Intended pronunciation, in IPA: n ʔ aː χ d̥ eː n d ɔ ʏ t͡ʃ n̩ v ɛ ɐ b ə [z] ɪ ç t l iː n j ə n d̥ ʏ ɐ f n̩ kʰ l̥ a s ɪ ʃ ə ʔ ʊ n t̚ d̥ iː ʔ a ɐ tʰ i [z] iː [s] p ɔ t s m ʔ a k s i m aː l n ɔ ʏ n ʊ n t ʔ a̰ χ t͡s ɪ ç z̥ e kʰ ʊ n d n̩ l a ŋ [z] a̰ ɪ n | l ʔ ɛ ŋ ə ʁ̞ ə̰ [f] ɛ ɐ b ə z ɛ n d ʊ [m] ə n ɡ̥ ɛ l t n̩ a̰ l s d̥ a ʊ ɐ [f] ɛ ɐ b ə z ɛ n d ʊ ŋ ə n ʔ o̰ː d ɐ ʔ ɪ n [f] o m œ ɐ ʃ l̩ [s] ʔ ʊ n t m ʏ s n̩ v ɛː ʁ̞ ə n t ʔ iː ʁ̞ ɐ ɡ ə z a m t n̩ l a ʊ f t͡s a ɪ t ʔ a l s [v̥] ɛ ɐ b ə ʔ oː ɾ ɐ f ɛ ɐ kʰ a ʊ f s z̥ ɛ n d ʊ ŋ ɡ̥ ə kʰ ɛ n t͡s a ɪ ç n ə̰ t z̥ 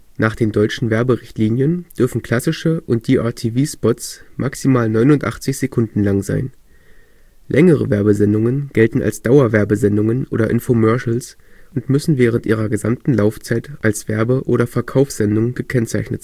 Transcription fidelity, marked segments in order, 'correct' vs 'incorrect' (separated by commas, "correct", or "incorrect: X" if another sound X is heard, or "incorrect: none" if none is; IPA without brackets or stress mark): incorrect: ʁ, incorrect: v, correct, correct, incorrect: v, incorrect: ŋ, incorrect: v, correct, correct, correct